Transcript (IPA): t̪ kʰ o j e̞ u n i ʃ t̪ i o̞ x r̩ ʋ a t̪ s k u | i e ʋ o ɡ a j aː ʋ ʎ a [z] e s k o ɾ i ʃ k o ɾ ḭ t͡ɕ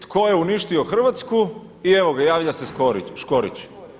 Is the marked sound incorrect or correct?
incorrect